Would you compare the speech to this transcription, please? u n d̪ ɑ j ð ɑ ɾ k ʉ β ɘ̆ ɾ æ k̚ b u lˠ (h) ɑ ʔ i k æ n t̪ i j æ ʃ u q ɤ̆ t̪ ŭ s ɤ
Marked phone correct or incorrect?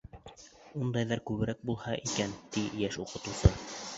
correct